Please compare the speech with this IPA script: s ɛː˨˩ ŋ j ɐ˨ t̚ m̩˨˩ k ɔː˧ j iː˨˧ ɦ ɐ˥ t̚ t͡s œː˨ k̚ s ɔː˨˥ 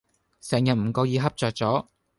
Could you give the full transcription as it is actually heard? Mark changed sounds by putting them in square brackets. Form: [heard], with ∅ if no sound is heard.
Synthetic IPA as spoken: s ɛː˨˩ ŋ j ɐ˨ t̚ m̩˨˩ k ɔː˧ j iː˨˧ ɦ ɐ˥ [p̚] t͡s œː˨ k̚ [t͡s] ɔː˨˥